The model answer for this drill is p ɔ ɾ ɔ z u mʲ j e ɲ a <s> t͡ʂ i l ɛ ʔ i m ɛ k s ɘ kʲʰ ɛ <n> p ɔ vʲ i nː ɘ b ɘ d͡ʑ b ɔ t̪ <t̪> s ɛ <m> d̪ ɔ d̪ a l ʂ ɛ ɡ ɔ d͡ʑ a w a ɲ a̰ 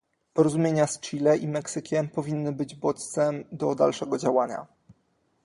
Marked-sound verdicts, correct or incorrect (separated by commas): correct, incorrect, correct, correct